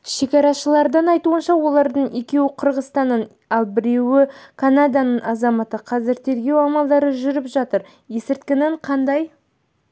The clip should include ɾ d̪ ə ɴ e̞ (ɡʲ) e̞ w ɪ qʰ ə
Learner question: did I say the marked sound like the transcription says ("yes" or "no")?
no